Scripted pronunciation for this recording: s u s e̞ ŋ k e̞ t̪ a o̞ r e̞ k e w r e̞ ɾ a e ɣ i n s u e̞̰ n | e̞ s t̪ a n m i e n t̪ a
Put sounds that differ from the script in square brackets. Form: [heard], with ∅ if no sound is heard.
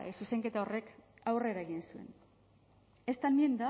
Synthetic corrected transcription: s u s e̞ ŋ k e̞ t̪ a o̞ r e̞ k [a] w r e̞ ɾ a e ɣ i n s u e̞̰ n | e̞ s t̪ a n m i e n [d̪] a